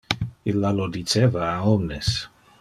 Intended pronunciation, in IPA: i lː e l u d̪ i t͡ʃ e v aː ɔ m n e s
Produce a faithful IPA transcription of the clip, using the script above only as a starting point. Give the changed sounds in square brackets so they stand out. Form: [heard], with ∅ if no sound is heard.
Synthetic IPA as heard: i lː [a] l [o] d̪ i t͡ʃ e v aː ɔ m n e s

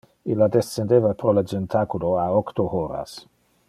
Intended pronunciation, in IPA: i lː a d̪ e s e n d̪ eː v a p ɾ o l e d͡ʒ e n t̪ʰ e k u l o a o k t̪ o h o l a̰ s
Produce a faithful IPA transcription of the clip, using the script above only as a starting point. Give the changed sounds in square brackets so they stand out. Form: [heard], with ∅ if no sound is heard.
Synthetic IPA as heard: i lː a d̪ e s e n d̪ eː v a p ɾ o l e d͡ʒ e n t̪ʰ [a] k u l o a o k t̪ o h o [ɾ] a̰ s

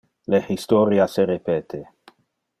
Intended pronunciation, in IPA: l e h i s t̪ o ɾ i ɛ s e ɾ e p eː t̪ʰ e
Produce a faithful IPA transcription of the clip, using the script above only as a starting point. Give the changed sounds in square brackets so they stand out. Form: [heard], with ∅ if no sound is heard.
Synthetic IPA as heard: l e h i s t̪ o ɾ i [a] s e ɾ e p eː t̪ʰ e

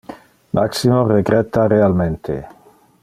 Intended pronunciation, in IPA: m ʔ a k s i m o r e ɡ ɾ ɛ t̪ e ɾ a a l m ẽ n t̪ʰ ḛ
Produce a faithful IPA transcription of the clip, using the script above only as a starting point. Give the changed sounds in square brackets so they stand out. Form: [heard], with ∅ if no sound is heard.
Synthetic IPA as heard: m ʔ a k s i m o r e ɡ ɾ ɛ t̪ [a] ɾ [e] a l m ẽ n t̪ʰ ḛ

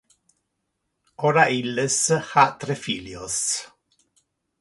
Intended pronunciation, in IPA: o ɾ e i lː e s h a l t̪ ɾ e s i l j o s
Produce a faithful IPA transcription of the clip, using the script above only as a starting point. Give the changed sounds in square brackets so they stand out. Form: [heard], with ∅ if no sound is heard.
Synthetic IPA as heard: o ɾ [a] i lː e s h a [∅] t̪ ɾ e [f] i l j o s

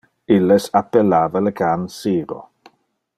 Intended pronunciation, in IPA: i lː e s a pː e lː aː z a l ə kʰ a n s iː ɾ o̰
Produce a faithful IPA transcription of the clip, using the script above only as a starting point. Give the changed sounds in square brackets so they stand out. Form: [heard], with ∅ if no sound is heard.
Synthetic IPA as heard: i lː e s a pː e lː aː [v] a l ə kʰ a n s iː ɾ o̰

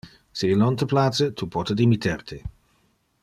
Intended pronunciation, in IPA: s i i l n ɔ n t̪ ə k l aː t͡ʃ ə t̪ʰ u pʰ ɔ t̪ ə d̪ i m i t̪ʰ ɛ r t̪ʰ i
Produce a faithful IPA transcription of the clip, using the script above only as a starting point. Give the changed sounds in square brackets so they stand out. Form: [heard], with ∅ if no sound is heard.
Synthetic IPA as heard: s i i l n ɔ n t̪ ə [p] l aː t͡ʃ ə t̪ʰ u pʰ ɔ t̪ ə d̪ i m i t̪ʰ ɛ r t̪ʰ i

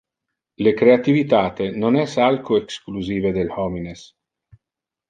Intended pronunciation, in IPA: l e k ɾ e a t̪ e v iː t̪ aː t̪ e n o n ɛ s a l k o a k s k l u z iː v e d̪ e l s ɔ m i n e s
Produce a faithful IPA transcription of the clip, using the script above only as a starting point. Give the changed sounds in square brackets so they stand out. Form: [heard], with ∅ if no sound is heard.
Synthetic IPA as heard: l e k ɾ e a t̪ [i] v [i] t̪ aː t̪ e n o n ɛ s a l k o [e] k s k l u z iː v e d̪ e l [h] ɔ m i n e s

